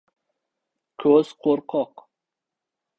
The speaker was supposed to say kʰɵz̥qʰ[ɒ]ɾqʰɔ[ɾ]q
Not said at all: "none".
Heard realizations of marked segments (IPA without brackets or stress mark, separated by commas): o, none